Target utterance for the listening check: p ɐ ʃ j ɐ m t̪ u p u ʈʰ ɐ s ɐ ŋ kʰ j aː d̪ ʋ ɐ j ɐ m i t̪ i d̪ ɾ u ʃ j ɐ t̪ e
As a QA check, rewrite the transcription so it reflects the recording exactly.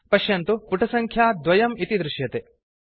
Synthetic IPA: p ɐ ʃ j ɐ n t̪ u p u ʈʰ ɐ s ɐ ŋ kʰ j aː d̪ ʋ ɐ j ɐ m i t̪ i d̪ ɾ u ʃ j ɐ t̪ e